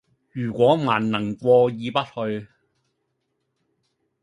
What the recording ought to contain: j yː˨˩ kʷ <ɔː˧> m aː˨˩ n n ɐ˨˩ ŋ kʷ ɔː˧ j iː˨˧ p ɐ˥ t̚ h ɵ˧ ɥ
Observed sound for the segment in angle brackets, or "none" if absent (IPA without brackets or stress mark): ɔː˨˥